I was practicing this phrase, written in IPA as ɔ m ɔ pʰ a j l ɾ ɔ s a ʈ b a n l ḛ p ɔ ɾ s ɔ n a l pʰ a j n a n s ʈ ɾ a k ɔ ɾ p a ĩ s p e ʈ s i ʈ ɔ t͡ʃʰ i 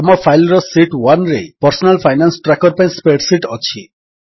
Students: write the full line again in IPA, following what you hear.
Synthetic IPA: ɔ m ɔ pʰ a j l ɾ ɔ s i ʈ w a n ɾ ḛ p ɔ ɾ s ɔ n a l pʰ a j n a n s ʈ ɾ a k ɔ ɾ p a ĩ s p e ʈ s i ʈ ɔ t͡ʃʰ i